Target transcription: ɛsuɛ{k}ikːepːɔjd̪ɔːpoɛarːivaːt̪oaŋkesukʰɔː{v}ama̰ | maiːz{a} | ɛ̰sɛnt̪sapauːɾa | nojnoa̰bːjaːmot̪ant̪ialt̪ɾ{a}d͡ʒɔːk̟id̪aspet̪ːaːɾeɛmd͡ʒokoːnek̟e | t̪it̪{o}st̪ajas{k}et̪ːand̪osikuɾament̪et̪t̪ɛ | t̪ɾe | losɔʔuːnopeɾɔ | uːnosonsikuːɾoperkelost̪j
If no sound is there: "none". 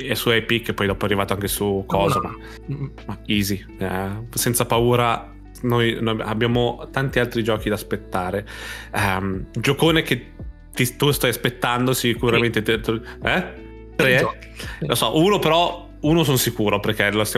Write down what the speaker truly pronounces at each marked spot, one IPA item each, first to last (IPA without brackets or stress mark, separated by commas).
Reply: p, z, i, i, u, p